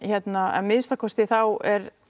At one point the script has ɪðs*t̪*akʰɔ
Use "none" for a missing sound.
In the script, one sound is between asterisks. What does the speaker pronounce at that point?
t̪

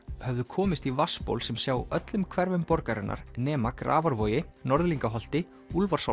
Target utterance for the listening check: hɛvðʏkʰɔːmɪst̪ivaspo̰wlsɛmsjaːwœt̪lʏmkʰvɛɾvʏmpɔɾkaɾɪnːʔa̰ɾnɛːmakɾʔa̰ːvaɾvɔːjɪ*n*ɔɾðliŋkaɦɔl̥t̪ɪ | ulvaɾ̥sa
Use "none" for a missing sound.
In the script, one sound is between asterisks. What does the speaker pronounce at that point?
n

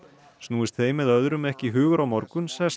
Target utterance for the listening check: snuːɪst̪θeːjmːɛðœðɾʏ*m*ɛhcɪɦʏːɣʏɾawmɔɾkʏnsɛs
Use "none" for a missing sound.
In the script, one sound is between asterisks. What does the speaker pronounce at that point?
m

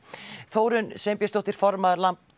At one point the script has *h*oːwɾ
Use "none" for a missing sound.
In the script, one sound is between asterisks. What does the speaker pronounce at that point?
θ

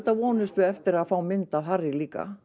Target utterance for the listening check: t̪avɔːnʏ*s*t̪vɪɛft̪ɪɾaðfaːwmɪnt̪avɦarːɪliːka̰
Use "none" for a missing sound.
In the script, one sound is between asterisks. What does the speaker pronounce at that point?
s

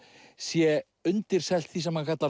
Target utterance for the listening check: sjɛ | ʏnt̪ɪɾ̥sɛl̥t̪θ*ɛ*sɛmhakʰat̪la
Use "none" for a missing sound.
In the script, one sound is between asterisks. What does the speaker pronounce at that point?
i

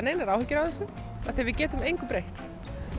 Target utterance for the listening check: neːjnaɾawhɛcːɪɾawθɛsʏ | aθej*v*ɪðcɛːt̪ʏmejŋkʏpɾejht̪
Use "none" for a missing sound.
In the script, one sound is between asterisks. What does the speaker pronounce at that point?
v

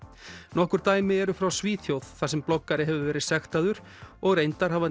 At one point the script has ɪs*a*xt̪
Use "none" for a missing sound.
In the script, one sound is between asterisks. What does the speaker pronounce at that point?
ɛ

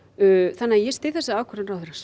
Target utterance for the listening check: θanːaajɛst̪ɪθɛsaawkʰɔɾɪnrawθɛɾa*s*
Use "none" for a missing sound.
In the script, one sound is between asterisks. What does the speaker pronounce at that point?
s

